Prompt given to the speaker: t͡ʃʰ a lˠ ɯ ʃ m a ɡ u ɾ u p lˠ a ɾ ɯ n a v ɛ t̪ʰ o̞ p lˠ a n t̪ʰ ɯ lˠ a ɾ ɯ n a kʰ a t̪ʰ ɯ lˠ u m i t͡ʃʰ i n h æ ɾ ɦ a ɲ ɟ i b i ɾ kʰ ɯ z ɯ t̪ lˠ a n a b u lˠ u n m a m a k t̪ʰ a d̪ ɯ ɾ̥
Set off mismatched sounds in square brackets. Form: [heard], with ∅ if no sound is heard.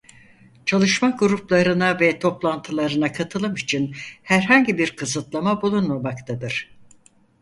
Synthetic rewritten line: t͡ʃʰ a lˠ ɯ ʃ m a ɡ u ɾ u p lˠ a ɾ ɯ n a v ɛ t̪ʰ o̞ p lˠ a n t̪ʰ ɯ lˠ a ɾ ɯ n a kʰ a t̪ʰ ɯ lˠ [ɯ] m i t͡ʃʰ i n h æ ɾ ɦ a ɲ ɟ i b i ɾ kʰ ɯ z ɯ t̪ lˠ a [m] a b u lˠ u n m a m a k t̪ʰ a d̪ ɯ ɾ̥

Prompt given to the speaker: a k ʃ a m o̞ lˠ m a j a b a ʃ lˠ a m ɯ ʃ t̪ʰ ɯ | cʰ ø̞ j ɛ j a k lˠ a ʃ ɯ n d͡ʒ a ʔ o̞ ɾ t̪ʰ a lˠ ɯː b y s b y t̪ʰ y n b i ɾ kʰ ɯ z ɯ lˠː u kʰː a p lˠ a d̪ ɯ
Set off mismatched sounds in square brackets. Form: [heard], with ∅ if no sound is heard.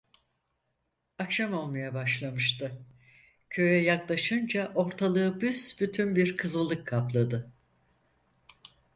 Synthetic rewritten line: a k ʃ a m o̞ lˠ m a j a b a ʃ lˠ a m ɯ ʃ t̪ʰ ɯ | cʰ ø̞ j ɛ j a k lˠ a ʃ ɯ n d͡ʒ a ʔ o̞ ɾ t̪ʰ a lˠ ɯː b y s b y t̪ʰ y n b i ɾ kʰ ɯ z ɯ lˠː [ɯ] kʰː a p lˠ a d̪ ɯ

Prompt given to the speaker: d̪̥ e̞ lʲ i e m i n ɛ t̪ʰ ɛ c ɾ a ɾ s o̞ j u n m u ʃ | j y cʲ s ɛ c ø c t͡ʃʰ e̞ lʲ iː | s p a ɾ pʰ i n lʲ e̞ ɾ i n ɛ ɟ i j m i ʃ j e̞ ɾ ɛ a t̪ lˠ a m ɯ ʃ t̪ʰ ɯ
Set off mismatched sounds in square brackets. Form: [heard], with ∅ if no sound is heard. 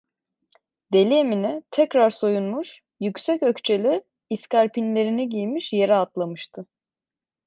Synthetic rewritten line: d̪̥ e̞ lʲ i e m i n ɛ t̪ʰ ɛ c ɾ a ɾ s o̞ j u n m u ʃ | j y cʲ s ɛ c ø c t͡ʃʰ e̞ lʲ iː | s [c] a ɾ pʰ i n lʲ e̞ ɾ i n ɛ ɟ i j m i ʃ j e̞ ɾ ɛ a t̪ lˠ a m ɯ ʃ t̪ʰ ɯ

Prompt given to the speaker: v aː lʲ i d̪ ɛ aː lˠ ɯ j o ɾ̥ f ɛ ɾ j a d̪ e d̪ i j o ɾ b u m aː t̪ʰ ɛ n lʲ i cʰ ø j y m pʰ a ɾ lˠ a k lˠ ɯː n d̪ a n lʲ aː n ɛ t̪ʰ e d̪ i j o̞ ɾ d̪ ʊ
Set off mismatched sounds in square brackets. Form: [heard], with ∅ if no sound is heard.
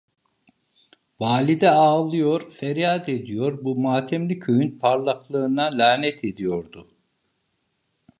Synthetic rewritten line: v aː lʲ i d̪ ɛ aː lˠ ɯ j o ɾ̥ f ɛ ɾ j a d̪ e d̪ i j o ɾ b u m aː t̪ʰ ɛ [m] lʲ i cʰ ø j y [n] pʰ a ɾ lˠ a k lˠ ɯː n d̪ a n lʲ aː n ɛ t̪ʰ e d̪ i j o̞ ɾ d̪ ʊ

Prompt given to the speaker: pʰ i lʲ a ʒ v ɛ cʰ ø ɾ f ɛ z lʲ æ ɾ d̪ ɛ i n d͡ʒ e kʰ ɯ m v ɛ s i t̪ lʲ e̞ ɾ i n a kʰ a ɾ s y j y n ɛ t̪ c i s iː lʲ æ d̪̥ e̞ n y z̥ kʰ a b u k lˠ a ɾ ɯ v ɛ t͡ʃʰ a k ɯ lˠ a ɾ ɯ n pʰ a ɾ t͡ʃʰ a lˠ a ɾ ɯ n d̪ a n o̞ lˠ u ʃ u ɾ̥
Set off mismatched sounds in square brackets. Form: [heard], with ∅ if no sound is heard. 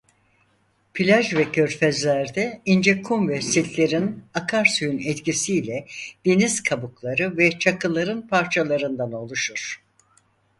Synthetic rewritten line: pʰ i lʲ a ʒ v ɛ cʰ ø ɾ f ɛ z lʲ æ ɾ d̪ ɛ i n d͡ʒ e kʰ [u] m v ɛ s i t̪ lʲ e̞ ɾ i n a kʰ a ɾ s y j y n ɛ t̪ c i s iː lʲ [ɛ] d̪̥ e̞ n [i] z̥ kʰ a b u k lˠ a ɾ ɯ v ɛ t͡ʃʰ a k ɯ lˠ a ɾ ɯ n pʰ a ɾ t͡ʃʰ a lˠ a ɾ ɯ n d̪ a n o̞ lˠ u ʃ u ɾ̥

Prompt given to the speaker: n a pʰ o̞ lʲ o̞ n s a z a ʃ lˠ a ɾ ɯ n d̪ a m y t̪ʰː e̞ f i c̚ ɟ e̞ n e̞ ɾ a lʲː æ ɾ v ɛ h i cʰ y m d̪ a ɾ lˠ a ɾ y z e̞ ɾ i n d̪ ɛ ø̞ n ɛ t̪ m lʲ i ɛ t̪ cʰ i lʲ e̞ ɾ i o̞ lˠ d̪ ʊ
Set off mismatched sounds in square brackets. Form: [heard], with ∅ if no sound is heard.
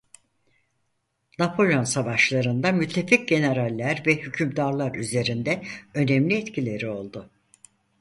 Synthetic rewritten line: n a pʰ o̞ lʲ o̞ n s a [v] a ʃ lˠ a ɾ ɯ n d̪ a m y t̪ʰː e̞ f i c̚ ɟ e̞ n e̞ ɾ a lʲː æ ɾ v ɛ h [y] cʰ y m d̪ a ɾ lˠ a ɾ y z e̞ ɾ i n d̪ ɛ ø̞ n ɛ [∅] m lʲ i ɛ t̪ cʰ i lʲ e̞ ɾ i o̞ lˠ d̪ ʊ

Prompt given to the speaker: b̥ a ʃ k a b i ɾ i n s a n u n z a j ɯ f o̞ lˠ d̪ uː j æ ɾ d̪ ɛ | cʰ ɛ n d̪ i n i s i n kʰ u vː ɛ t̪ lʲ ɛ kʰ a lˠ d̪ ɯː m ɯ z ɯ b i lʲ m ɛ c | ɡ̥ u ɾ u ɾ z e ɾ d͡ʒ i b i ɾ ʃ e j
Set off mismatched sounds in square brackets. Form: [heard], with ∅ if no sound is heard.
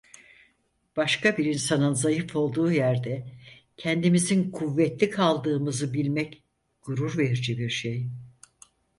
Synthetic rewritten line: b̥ a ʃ k a b i ɾ i n s a n [ɯ] n z a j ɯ f o̞ lˠ d̪ uː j æ ɾ d̪ ɛ | cʰ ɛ n d̪ i [m] i [z] i n kʰ u vː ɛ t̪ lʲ [i] kʰ a lˠ d̪ ɯː m ɯ z ɯ b i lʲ m ɛ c | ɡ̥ u ɾ u ɾ [v] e ɾ d͡ʒ i b i ɾ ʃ e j

